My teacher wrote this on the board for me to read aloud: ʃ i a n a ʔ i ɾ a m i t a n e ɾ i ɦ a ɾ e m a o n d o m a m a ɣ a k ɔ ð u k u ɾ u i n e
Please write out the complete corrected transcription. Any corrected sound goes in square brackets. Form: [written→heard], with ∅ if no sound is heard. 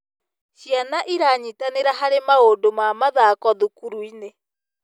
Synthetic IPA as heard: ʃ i a n a ʔ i ɾ a [m→ɲ] i t a n e ɾ [i→a] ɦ a ɾ e m a o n d o m a m a [ɣ→ð] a k ɔ ð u k u ɾ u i n e